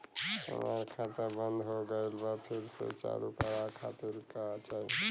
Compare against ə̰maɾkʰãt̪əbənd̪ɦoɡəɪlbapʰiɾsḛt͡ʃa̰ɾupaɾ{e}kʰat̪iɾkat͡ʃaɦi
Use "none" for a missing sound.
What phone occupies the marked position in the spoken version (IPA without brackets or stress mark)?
a